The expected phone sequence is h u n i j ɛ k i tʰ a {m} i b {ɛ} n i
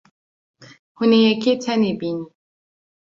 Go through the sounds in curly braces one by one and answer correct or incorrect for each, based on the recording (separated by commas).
incorrect, incorrect